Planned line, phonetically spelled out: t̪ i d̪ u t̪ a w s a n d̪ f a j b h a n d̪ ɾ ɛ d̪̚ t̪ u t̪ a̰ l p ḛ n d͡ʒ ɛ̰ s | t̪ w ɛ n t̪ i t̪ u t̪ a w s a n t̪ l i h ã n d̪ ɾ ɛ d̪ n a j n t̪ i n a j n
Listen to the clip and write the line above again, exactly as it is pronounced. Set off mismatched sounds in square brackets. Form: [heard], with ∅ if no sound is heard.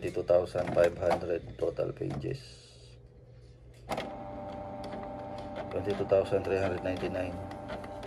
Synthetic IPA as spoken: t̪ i [t̪] u t̪ a w s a n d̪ f a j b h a n d̪ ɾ ɛ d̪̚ t̪ [o] t̪ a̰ l p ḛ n d͡ʒ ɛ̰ s | t̪ w ɛ n t̪ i t̪ u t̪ a w s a n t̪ [ɾ] i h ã n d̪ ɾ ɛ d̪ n a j n t̪ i n a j n